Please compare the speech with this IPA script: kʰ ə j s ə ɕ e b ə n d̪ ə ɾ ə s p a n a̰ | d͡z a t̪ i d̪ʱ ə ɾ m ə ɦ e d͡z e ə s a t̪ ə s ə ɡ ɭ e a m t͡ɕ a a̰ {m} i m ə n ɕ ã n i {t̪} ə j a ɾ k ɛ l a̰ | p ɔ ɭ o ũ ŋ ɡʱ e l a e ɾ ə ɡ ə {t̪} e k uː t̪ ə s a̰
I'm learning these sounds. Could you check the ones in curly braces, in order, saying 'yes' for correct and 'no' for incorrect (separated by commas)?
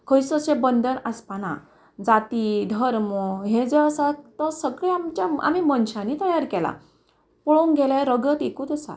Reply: yes, yes, yes